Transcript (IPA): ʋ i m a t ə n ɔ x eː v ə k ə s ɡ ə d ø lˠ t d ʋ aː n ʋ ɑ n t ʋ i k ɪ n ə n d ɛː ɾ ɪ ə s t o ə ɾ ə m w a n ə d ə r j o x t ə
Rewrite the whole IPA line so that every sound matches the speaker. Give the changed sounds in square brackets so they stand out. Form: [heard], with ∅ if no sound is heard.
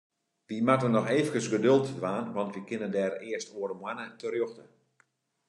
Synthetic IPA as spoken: ʋ i m a t ə n ɔ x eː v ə k ə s ɡ ə d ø lˠ t d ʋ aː n ʋ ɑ n t ʋ i k ɪ n ə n d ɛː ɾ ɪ ə s t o ə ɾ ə m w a n ə [t] ə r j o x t ə